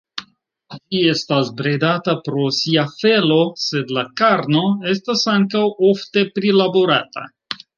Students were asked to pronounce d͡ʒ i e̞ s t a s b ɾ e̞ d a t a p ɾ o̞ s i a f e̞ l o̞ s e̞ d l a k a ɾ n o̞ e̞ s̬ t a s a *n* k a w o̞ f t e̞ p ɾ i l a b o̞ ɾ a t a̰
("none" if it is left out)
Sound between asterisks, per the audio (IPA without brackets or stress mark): ŋ